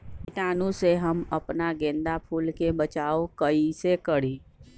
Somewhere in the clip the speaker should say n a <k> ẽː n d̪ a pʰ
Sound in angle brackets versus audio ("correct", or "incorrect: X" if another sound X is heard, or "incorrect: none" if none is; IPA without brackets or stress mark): incorrect: ɡ